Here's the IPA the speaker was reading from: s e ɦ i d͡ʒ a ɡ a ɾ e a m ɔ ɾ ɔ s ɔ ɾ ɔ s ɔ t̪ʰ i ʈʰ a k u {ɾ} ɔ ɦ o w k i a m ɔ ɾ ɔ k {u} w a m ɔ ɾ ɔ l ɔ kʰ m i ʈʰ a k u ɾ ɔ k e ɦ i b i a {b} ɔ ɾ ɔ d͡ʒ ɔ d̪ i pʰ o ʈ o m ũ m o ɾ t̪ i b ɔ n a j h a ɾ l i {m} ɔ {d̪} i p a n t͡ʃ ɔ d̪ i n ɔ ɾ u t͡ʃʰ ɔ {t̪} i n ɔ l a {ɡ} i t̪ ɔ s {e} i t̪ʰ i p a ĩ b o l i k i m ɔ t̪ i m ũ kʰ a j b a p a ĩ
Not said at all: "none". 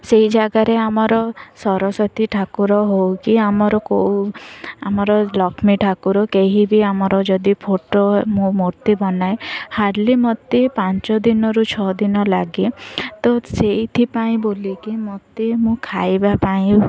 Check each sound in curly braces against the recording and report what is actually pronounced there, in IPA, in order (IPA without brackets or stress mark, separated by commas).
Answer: ɾ, o, m, m, t̪, d̪, ɡ, e